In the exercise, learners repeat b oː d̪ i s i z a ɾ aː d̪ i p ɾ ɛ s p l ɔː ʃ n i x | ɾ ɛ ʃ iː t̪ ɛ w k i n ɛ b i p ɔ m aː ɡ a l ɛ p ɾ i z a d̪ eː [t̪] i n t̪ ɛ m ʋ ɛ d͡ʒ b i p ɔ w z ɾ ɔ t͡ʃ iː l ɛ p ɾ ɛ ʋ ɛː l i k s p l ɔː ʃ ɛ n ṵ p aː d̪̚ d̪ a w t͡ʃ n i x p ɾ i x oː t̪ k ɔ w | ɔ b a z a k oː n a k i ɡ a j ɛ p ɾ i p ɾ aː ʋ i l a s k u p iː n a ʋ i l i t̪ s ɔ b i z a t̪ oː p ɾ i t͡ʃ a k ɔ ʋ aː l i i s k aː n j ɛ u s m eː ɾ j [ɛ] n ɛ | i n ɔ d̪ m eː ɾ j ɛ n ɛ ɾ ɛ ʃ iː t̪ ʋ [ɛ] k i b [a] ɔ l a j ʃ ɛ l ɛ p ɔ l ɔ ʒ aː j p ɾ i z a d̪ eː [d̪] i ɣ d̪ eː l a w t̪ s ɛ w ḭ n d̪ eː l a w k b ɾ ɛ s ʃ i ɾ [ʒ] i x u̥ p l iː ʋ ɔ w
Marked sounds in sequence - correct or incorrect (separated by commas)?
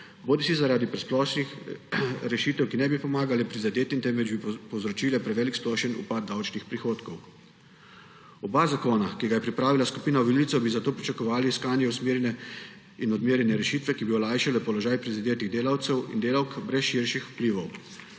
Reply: correct, correct, correct, incorrect, incorrect, incorrect